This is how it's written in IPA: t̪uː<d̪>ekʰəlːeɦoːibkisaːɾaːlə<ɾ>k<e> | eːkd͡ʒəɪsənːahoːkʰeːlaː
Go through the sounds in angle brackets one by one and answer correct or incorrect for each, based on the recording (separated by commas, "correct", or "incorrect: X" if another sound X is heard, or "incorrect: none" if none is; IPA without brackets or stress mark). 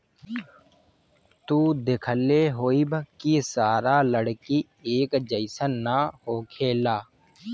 correct, incorrect: ɽ, incorrect: i